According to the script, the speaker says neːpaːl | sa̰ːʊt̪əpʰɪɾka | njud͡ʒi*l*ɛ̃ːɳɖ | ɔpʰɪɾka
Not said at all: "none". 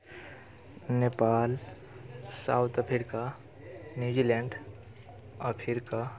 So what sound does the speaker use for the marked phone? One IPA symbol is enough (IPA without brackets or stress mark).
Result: l